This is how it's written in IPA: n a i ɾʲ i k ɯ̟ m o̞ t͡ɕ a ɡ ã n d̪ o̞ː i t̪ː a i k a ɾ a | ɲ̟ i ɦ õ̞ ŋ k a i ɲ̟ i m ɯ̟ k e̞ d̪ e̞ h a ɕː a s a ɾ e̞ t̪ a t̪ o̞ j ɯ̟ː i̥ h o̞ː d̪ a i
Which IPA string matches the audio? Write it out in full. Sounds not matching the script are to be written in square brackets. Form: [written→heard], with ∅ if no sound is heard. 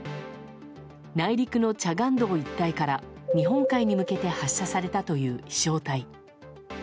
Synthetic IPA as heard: n a i ɾʲ i k ɯ̟ [m→n] o̞ t͡ɕ a ɡ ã n d̪ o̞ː i t̪ː a i k a ɾ a | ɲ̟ i ɦ õ̞ ŋ k a i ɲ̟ i m ɯ̟ k e̞ [d̪→t̪] e̞ h a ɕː a s a ɾ e̞ t̪ a t̪ o̞ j ɯ̟ː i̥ [h→ɕ] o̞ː [d̪→t̪] a i